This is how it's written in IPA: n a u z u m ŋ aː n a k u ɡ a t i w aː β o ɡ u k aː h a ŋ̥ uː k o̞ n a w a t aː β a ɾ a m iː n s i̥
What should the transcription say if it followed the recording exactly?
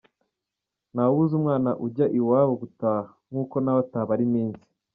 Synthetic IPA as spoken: n a u z u m ŋ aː n a ʔ u ɟ a ʔ i w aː β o ɡ u t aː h a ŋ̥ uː k o̞ n a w a t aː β a ɾ i m iː n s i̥

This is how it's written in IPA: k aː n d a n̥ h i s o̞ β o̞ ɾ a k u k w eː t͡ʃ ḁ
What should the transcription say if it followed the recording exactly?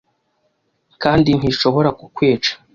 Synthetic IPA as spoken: k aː n d i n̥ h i ʃ o̞ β o̞ ɾ a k u k w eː t͡ʃ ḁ

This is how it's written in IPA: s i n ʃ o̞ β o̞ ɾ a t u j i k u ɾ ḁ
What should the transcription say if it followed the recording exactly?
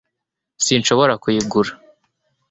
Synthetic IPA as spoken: s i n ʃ o̞ β o̞ ɾ a k u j i ɡ u ɾ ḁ

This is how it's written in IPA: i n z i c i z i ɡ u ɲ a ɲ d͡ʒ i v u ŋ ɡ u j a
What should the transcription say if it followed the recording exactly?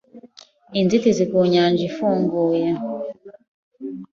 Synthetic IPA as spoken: i n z i t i z i k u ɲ a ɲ d͡ʒ i f u ŋ ɡ u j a

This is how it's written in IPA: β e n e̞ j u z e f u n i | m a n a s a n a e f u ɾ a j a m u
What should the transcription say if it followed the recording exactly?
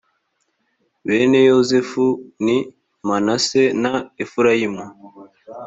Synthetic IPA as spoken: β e n e̞ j o z e f u n i | m a n a s e n a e f u ɾ a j i m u

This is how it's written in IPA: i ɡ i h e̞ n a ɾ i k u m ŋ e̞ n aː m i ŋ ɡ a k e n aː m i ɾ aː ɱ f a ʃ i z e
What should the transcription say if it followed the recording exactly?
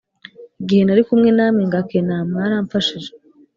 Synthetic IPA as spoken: i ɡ i h e̞ n a ɾ i k u m ŋ e̞ n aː m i ŋ ɡ a k e n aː m a ɾ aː ɱ f a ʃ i ʒ e

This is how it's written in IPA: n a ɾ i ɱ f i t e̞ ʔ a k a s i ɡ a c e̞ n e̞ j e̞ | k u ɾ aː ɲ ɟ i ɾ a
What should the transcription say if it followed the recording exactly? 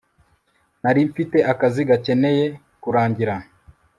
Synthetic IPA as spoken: n a ɾ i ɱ f i t e̞ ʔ a k a z i ɡ a c e̞ n e̞ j e̞ | k u ɾ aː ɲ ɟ i ɾ a

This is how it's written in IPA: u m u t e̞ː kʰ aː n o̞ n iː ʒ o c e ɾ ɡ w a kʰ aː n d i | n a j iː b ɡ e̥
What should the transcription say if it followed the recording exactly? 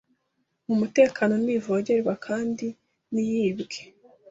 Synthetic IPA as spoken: u m u t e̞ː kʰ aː n o̞ n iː v o ɟ e ɾ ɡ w a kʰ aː n d i | n i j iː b ɡ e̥

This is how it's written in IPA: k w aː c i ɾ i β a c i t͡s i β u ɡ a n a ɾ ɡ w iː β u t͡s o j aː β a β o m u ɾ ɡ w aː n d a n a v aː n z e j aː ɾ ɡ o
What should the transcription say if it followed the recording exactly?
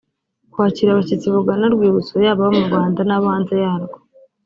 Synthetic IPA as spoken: k w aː c i ɾ a β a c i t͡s i β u ɡ a n a ɾ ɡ w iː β u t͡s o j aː β a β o m u ɾ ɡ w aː n d a n a β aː n z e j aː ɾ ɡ o

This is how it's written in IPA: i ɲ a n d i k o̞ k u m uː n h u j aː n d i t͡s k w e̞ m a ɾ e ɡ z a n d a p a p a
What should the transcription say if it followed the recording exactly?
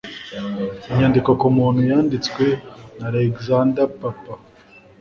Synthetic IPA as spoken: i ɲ a n d i k o̞ k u m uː n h u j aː n d i t͡s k w e̞ n a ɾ e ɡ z a n d a p a p a

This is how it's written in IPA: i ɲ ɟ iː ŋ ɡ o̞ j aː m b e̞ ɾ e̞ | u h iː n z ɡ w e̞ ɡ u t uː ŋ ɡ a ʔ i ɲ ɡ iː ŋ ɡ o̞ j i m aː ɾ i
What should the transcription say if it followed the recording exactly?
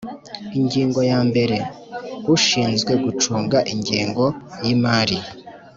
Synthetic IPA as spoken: i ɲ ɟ iː ŋ ɡ o̞ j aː m b e̞ ɾ e̞ | u ʃ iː n z ɡ w e̞ ɡ u t͡ʃ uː ŋ ɡ a ʔ i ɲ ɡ iː ŋ ɡ o̞ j i m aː ɾ i

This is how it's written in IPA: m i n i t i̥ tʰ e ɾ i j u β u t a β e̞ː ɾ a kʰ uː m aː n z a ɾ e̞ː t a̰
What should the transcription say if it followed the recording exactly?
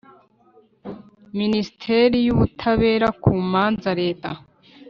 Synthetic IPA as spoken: m i n i s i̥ tʰ e ɾ i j u β u tʰ a β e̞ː ɾ a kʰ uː m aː n z a ɾ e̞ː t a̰

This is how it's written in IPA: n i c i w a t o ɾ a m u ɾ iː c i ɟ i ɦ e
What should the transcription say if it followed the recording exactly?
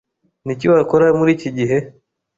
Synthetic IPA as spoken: n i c i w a k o ɾ a m u ɾ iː c i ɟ i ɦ e

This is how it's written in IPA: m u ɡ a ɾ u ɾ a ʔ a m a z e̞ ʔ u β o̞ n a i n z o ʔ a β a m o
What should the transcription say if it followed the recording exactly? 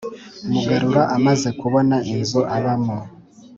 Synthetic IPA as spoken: m u ɡ a ɾ u ɾ a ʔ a m a z e̞ k u β o̞ n a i n z o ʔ a β a m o

